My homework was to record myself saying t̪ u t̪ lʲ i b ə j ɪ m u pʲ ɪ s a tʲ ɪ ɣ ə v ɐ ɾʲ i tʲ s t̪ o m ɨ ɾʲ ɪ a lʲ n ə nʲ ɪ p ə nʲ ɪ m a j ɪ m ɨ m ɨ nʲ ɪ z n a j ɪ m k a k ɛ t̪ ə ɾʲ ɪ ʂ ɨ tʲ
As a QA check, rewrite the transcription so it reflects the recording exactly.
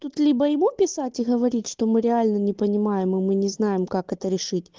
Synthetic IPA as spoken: t̪ u t̪ lʲ i b ə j ɪ m u pʲ ɪ s a tʲ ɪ ɣ ə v ɐ ɾʲ i tʲ ʂ t̪ o m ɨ ɾʲ ɪ a lʲ n ə nʲ ɪ p ə nʲ ɪ m a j ɪ m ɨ m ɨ nʲ ɪ z n a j ɪ m k a k ɛ t̪ ə ɾʲ ɪ ʂ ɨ tʲ